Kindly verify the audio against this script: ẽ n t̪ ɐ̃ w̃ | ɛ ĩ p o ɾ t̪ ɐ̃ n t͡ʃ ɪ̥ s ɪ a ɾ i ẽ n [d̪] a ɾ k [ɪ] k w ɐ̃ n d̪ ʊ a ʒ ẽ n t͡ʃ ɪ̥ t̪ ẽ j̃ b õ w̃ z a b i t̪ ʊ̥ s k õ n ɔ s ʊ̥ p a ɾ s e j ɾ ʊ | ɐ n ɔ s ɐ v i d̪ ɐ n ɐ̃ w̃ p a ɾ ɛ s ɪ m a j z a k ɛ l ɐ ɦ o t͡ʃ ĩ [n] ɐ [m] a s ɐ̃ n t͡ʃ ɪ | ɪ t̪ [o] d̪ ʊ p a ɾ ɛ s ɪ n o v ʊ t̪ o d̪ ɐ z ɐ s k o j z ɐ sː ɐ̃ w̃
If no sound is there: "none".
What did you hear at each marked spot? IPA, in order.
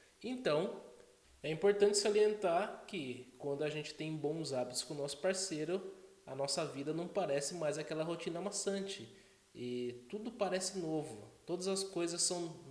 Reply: t̪, ɪ, n, m, u

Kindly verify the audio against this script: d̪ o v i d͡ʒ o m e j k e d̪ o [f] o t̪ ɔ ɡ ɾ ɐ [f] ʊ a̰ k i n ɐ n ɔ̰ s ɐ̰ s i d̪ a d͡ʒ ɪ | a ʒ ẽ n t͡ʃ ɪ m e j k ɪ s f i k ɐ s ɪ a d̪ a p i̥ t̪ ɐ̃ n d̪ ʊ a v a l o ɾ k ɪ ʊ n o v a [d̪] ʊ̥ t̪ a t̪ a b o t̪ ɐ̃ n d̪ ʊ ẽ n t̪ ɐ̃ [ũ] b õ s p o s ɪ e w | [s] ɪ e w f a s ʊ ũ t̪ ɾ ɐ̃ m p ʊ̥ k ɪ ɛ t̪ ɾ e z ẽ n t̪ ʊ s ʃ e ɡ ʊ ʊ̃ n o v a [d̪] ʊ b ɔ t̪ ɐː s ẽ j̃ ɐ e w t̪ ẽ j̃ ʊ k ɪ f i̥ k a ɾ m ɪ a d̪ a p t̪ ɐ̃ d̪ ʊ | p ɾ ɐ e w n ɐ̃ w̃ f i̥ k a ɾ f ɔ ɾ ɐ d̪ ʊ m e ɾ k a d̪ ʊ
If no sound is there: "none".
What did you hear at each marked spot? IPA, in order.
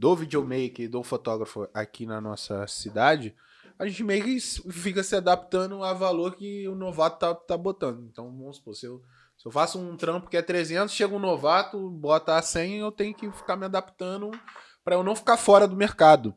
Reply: f, f, t̪, w̃, s, t̪

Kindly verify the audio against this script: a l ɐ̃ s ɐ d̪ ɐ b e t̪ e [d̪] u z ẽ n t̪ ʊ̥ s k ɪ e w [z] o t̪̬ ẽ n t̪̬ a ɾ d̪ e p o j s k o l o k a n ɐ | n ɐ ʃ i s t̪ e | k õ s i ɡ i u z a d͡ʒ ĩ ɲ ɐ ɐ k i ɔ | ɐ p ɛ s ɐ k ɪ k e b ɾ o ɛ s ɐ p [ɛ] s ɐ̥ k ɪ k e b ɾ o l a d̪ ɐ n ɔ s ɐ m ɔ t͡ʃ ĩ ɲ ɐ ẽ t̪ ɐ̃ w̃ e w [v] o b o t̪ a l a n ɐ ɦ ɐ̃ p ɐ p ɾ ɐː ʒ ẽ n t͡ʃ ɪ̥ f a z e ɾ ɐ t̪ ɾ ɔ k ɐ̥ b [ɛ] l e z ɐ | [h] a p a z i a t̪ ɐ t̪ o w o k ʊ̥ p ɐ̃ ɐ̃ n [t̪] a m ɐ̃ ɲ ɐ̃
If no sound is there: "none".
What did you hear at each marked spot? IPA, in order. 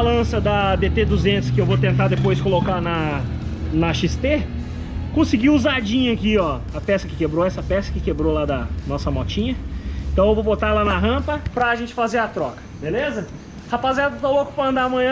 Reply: d̪, v, ɛ, v, e, h, d̪

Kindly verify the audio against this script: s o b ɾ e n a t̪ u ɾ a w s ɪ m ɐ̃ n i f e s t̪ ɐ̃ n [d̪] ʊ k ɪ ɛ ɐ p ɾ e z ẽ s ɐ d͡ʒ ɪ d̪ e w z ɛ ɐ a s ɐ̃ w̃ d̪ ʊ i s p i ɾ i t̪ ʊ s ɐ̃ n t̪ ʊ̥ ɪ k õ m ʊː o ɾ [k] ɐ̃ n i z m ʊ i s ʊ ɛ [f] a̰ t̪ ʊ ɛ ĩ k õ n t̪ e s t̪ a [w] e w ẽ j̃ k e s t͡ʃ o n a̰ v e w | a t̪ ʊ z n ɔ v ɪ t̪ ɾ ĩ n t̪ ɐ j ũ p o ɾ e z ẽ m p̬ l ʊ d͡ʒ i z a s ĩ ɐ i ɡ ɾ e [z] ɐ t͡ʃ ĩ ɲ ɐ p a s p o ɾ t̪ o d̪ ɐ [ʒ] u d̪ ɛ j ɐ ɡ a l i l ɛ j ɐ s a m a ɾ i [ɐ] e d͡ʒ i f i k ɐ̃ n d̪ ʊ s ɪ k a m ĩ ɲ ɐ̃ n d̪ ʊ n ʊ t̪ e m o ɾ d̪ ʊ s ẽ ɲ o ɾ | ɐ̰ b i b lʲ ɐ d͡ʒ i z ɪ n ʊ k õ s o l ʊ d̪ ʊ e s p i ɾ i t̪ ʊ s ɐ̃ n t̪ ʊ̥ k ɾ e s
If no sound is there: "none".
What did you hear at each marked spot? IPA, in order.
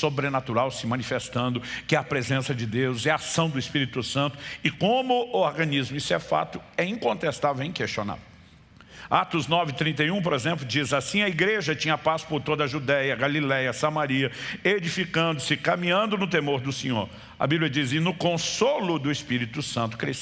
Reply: d̪, ɡ, f, v, ʒ, ʒ, ɐ

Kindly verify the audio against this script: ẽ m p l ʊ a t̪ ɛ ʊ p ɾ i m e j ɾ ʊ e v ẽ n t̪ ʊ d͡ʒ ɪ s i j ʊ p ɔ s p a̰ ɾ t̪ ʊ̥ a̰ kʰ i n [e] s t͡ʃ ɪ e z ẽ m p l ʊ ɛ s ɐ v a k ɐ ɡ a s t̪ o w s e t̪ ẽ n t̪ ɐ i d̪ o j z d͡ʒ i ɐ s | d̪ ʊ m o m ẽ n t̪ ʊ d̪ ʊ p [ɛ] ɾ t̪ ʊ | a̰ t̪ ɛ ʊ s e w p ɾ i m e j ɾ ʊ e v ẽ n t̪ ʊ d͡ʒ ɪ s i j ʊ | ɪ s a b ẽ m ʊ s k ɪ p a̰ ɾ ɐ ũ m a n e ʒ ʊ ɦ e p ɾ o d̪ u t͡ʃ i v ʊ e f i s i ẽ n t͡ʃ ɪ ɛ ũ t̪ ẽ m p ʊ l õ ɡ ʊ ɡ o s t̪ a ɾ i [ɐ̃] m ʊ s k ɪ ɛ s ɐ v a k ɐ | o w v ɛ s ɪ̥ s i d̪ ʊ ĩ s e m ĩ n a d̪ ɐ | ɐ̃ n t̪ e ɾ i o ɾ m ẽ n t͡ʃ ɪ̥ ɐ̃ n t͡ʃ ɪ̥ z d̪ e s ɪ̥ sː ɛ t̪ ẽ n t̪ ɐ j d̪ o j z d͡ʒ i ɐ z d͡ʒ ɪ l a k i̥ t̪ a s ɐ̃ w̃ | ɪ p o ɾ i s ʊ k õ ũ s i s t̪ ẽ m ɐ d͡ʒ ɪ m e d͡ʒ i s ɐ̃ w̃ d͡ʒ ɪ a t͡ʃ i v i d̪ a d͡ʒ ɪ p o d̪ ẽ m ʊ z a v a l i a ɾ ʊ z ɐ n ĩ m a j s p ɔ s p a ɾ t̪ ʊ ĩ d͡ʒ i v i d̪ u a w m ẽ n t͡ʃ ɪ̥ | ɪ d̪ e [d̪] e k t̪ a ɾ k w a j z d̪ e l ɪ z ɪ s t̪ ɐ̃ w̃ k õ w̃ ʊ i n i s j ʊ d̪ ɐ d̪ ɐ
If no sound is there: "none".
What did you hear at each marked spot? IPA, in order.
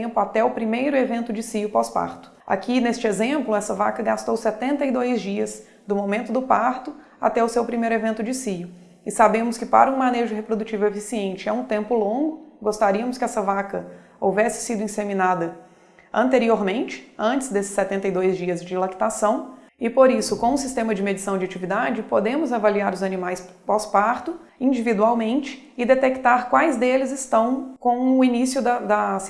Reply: e, a, ɐ, t̪

